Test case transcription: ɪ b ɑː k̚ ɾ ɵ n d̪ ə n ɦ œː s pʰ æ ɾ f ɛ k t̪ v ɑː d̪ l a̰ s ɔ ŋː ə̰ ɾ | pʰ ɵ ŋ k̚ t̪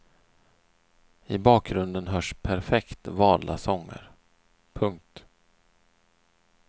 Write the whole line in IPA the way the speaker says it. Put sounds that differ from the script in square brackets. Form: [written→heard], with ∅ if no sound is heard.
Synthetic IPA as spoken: ɪ b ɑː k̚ ɾ ɵ n d̪ ə n ɦ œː [s→ʂ] pʰ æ ɾ f ɛ k t̪ v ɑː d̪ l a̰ s ɔ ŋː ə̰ ɾ | pʰ ɵ ŋ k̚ t̪